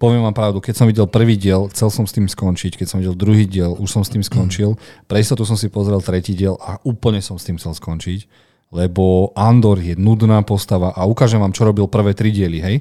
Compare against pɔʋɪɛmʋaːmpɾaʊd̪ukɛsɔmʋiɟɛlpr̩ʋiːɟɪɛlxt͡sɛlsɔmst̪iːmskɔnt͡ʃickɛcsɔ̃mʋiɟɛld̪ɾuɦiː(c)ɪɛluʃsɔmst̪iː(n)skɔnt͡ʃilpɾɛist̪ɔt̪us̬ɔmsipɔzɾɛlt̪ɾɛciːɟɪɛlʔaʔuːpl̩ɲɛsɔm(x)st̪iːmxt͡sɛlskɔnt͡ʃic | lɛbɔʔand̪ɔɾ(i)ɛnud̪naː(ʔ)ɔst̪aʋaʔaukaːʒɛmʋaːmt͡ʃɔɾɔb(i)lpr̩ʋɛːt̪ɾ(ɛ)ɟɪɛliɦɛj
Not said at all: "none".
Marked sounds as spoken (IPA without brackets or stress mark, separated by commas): ɟ, m, x, j, p, i, i